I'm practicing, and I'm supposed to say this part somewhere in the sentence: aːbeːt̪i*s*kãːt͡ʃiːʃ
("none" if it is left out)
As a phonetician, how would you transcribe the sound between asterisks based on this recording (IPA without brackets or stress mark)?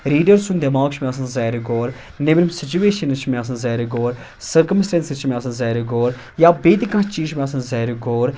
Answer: none